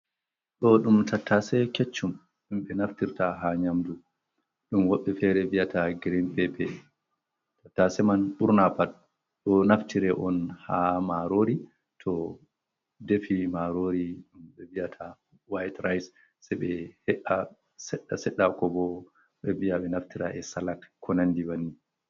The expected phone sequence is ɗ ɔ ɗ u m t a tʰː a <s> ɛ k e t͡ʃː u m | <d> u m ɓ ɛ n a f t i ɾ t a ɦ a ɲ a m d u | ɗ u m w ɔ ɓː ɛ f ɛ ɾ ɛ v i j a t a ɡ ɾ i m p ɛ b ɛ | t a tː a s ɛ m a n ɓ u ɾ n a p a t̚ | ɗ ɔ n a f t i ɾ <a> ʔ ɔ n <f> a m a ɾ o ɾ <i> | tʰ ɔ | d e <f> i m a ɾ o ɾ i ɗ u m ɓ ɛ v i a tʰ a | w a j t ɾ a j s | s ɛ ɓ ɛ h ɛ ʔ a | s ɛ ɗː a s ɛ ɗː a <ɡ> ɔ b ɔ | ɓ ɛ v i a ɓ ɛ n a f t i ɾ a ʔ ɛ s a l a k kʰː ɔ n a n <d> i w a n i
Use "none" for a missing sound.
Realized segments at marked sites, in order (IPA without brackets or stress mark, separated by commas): s, ɗ, ɛ, h, i, f, k, d